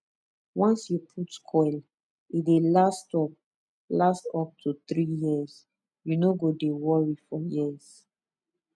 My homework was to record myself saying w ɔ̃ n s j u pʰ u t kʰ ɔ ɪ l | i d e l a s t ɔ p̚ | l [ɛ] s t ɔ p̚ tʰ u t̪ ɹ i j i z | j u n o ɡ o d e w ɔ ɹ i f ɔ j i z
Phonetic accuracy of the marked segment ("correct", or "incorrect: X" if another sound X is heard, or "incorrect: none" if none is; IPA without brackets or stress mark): incorrect: a